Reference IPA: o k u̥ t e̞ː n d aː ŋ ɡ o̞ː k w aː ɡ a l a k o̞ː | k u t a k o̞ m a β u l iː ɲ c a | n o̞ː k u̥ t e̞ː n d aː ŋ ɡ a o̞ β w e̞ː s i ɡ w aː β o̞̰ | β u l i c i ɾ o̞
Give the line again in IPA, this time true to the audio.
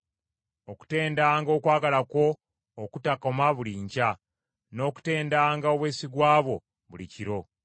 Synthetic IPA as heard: o k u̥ t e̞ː n d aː ŋ ɡ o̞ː k w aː ɡ a l a k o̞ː | k u t a k o̞ m a β u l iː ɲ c a | n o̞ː k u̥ t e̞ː n d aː ŋ ɡ a o̞ β w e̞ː s i ɡ w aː β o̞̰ | β u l i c i ɾ o̞